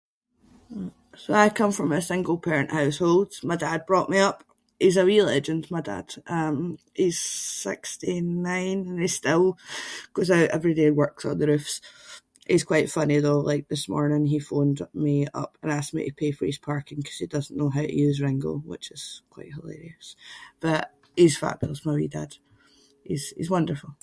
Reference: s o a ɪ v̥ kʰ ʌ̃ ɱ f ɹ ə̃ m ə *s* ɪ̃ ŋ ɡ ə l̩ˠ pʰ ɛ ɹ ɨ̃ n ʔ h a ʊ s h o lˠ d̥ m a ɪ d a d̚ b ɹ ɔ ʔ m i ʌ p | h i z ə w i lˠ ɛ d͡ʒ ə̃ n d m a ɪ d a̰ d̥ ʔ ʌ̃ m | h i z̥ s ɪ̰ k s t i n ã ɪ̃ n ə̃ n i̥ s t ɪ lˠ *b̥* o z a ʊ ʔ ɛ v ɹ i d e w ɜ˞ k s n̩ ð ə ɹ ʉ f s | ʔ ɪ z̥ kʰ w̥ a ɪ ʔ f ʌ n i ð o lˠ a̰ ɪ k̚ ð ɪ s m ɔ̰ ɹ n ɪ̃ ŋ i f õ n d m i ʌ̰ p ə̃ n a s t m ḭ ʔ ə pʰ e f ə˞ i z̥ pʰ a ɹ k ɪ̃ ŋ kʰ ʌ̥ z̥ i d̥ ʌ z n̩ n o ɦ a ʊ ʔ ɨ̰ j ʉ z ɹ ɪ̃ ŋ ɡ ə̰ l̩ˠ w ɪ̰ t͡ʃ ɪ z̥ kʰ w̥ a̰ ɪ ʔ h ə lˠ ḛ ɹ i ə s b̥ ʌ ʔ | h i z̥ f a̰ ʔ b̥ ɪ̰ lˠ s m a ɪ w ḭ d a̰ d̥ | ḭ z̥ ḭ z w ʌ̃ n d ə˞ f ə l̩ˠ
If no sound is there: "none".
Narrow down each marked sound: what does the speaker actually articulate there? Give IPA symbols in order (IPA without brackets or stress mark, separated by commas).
s, ɡ̥